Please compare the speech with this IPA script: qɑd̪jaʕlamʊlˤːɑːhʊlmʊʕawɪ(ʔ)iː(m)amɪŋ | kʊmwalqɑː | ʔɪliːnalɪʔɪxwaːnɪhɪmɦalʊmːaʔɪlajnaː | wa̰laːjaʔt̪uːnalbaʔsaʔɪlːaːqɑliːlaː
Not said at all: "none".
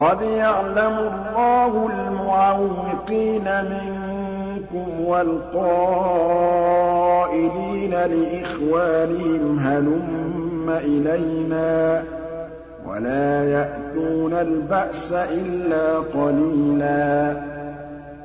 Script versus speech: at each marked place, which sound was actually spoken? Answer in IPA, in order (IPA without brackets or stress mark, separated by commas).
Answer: q, n